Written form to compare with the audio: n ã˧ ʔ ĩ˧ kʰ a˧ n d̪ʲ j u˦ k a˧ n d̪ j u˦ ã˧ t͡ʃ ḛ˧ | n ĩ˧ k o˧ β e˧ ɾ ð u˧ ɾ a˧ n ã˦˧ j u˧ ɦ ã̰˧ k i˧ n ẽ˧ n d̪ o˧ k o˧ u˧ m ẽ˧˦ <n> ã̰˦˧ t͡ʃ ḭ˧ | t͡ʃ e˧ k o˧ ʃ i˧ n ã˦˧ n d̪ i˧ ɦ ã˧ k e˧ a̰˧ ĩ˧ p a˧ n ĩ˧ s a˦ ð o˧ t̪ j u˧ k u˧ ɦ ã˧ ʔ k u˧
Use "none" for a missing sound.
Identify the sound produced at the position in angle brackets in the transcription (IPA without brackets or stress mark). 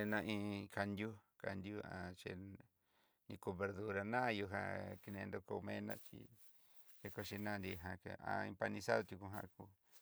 n